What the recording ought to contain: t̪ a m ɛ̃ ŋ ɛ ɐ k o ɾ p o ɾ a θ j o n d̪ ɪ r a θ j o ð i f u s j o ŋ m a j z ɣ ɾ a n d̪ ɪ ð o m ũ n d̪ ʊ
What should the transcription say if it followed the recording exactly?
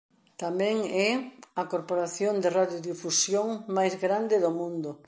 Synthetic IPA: t̪ a m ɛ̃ ŋ ɛ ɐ k o ɾ p o ɾ a θ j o n d̪ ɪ r a ð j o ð i f u s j o ŋ m a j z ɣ ɾ a n d̪ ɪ ð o m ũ n d̪ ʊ